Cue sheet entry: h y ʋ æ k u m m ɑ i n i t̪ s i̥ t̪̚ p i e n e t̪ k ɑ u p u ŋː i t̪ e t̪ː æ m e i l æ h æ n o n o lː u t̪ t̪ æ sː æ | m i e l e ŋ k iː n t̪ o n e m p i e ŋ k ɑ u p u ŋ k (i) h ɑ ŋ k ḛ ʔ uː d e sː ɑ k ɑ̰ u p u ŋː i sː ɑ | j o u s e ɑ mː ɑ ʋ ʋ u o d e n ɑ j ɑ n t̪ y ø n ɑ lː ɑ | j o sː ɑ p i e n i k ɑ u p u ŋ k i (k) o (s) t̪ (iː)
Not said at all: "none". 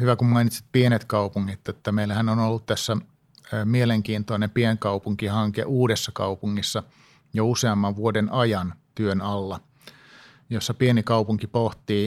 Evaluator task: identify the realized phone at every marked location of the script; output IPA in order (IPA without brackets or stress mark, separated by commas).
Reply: i, p, h, iː